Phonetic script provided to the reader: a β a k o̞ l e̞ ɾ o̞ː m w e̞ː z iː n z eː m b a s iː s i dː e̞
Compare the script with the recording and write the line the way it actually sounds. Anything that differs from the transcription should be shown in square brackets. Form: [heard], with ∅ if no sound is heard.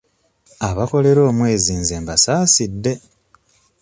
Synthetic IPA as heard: a β a k o̞ l e̞ ɾ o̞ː m w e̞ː z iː n z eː m b a s [aː] s i dː e̞